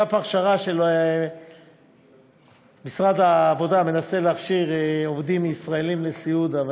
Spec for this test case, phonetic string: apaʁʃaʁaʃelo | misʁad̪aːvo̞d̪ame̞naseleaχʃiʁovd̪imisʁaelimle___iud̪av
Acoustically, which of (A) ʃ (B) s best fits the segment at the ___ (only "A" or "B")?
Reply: B